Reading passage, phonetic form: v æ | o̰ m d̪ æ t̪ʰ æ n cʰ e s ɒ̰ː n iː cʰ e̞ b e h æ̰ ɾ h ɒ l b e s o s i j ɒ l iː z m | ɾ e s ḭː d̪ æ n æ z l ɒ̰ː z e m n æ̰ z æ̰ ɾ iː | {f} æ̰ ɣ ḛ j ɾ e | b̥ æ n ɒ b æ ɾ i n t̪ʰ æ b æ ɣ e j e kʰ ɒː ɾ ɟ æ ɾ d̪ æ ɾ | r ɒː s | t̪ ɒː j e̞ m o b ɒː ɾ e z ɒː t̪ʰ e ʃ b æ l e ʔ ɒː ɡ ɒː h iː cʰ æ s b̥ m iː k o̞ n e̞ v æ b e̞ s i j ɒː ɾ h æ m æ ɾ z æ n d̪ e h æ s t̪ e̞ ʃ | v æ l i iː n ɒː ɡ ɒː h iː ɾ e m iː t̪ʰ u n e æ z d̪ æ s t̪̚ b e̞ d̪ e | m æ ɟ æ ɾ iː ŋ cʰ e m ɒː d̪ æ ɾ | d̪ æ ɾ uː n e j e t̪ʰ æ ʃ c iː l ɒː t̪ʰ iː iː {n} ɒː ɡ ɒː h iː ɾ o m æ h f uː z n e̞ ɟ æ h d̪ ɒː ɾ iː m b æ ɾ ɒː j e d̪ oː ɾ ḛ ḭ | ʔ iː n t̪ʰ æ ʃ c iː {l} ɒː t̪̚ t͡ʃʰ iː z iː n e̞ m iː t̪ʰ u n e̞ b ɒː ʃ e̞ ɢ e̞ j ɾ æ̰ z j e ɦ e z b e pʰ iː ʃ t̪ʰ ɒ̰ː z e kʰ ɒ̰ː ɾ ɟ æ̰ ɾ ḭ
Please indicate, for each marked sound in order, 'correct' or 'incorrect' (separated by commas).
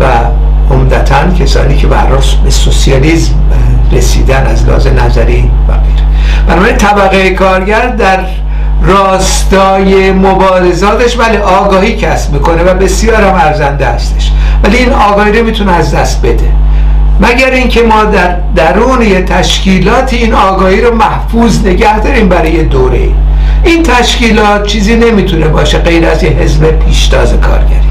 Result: incorrect, correct, correct